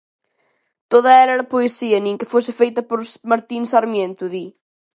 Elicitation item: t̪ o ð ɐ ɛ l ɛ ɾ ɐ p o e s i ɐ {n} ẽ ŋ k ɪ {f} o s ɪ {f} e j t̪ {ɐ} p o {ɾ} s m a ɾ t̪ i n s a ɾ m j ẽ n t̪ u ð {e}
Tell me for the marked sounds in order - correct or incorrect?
correct, correct, correct, correct, correct, incorrect: i

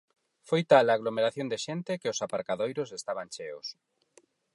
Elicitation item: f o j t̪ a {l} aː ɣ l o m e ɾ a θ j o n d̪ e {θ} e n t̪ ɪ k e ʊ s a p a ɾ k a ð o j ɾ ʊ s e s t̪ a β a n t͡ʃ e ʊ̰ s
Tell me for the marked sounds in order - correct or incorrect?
correct, incorrect: ʃ

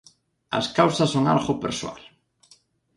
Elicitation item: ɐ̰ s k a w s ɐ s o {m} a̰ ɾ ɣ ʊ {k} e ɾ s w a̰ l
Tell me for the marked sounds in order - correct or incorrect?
incorrect: ŋ, incorrect: p

